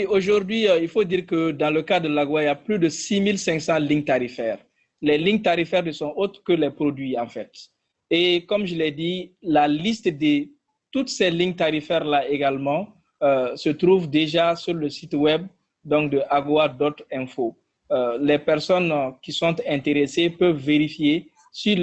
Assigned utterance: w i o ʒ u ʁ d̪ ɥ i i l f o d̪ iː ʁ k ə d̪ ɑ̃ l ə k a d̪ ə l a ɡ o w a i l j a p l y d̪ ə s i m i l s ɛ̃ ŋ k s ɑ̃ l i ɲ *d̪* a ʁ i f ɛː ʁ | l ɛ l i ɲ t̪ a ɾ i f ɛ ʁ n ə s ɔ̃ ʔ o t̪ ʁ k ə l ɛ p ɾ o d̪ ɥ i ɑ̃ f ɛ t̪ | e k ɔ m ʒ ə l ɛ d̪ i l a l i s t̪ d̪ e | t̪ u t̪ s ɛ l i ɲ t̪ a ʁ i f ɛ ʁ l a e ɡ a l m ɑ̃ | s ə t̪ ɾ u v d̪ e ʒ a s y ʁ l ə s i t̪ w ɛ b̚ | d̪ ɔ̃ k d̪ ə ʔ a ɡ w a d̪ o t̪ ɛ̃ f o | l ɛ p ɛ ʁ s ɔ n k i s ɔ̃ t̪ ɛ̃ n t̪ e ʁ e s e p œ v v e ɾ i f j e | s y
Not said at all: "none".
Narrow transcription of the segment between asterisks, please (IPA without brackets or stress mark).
t̪